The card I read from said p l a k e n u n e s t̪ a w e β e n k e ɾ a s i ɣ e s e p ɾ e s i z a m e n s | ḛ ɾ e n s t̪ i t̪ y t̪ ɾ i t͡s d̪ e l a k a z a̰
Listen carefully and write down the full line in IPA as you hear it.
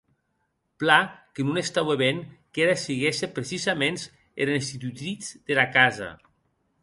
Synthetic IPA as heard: p l a k e n u n e s t̪ a w e β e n k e ɾ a s i ɣ e s e p ɾ e s i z a m e n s | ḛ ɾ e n s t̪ i t̪ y t̪ ɾ i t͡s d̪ e l a k a z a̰